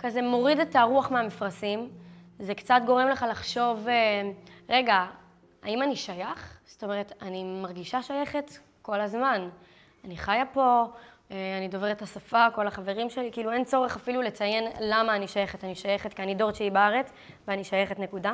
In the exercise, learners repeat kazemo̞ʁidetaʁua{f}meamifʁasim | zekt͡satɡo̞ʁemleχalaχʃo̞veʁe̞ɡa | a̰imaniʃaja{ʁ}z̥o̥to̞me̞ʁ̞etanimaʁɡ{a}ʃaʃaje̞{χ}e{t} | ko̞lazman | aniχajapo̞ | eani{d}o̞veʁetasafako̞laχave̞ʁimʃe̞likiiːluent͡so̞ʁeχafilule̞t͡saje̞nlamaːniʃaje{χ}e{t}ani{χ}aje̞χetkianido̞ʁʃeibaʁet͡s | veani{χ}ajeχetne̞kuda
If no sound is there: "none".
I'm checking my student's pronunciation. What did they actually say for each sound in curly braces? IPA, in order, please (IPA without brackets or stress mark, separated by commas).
χ, χ, i, χ, t, d, χ, t, ʃ, ʃ